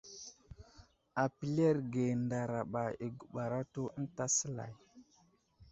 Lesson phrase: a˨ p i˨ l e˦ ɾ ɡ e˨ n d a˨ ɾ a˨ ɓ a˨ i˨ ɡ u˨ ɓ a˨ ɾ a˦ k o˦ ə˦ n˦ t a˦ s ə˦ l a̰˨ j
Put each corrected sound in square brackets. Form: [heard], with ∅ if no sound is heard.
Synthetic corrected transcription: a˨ p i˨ l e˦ ɾ ɡ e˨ n d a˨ ɾ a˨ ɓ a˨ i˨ ɡ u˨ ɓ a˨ ɾ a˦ [t] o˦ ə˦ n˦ t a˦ s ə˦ l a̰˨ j